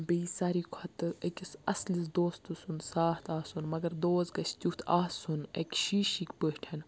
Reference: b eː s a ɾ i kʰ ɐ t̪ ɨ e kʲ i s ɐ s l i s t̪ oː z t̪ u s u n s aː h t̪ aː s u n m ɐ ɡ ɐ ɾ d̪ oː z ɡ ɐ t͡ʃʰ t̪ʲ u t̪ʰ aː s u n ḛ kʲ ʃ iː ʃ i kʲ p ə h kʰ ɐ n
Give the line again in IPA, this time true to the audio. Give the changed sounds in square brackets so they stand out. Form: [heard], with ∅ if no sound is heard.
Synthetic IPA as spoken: b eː s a ɾ i kʰ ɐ t̪ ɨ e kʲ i s ɐ s l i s [d̪] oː [s] t̪ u s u n s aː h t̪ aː s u n m ɐ ɡ ɐ ɾ d̪ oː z ɡ ɐ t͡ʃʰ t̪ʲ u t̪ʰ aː s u n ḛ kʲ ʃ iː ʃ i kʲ p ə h [ʈʰ] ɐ n